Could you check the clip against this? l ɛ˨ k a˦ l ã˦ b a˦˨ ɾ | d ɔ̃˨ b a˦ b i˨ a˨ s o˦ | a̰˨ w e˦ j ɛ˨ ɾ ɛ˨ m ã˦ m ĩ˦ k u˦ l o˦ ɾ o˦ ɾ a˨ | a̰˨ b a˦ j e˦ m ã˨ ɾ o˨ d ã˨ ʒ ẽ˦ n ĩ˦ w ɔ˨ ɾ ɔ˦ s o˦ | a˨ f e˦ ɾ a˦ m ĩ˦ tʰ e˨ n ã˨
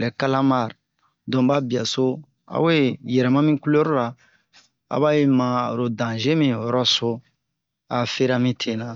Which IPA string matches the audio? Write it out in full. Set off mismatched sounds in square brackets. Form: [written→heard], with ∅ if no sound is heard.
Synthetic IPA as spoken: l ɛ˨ k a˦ l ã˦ [b→m] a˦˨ ɾ | d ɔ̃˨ b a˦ b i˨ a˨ s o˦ | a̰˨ w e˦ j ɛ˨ ɾ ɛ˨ m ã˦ m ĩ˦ k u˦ l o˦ ɾ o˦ ɾ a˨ | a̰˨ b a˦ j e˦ m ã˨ ɾ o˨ d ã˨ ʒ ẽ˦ [n→m] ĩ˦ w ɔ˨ ɾ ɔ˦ s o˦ | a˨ f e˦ ɾ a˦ m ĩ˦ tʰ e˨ n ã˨